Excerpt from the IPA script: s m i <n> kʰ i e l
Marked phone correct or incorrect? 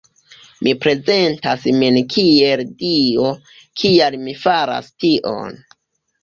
correct